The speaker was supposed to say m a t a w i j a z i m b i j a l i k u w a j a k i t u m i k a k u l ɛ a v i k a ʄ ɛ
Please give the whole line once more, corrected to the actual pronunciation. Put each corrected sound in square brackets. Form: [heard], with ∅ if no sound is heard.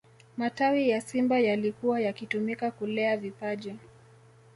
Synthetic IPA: m a t a w i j a [s] i m b [a] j a l i k u w a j a k i t u m i k a k u l ɛ a v i [p] a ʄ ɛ